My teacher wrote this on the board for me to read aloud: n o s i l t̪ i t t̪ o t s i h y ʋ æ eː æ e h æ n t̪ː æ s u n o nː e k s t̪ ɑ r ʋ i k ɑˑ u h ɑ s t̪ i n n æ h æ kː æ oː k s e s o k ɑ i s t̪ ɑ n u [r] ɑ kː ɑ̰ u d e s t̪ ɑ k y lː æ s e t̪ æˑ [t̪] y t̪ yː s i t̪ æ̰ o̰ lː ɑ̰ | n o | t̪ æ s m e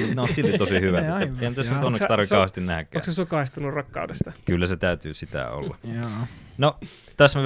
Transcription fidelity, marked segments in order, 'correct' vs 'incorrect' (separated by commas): correct, incorrect